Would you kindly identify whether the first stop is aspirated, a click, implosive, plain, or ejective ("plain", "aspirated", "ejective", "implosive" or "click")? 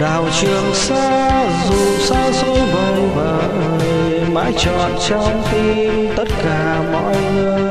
implosive